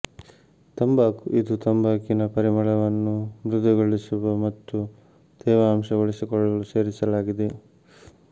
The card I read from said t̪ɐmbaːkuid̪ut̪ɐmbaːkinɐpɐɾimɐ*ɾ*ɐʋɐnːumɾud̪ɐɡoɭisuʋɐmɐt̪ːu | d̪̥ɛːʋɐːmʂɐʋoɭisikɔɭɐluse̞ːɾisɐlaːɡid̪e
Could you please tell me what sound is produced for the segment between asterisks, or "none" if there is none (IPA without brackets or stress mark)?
ɭ